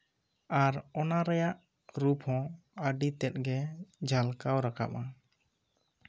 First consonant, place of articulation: alveolar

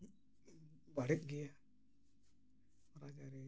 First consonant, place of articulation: labial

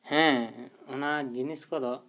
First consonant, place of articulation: glottal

